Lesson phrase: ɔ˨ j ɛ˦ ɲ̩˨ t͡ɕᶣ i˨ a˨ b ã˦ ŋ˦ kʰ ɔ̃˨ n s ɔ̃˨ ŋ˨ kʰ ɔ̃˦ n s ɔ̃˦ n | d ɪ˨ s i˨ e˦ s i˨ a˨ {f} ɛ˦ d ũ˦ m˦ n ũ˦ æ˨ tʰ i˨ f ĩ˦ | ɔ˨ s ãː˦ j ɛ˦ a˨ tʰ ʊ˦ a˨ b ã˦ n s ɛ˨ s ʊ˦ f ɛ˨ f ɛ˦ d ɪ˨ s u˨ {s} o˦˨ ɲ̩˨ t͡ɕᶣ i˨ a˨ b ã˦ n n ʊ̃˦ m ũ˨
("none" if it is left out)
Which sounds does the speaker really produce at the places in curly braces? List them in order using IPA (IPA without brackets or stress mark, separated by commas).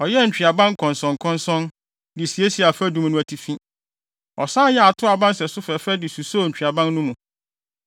f, s